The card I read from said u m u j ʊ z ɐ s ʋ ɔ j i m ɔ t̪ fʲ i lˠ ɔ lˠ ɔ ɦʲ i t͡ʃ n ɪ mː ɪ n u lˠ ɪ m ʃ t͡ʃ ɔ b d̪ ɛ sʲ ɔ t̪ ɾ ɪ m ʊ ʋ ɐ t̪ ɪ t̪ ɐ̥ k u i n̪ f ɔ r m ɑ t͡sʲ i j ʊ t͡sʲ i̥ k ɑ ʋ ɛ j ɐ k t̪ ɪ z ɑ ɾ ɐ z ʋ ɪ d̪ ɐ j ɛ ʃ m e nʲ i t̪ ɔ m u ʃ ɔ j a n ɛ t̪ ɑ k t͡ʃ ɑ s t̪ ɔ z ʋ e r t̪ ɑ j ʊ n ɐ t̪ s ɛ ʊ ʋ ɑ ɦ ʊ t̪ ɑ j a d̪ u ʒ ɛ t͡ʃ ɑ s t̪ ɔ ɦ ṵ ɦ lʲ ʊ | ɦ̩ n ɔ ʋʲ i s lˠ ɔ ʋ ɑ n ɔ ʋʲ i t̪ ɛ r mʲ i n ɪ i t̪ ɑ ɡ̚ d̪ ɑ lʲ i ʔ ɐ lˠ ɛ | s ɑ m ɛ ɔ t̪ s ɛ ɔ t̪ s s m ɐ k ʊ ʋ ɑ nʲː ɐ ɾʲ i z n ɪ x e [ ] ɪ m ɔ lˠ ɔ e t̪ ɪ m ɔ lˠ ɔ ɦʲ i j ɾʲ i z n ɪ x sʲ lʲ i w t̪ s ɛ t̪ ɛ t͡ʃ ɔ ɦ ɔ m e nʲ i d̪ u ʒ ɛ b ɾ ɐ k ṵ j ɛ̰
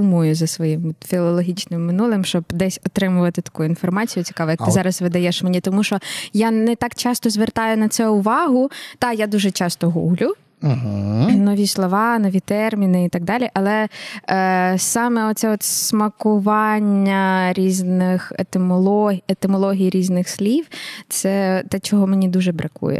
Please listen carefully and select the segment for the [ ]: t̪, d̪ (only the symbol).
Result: t̪